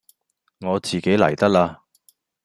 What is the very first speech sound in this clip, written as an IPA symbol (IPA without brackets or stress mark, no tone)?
ŋ